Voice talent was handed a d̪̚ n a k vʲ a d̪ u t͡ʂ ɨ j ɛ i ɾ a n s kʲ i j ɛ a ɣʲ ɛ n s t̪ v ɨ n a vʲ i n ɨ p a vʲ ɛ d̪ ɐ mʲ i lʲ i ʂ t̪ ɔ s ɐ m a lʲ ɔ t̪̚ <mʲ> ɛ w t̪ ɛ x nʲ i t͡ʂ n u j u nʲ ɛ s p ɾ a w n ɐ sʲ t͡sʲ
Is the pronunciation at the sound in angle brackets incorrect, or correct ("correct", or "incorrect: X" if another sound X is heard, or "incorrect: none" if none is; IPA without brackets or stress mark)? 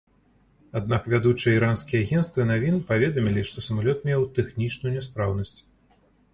correct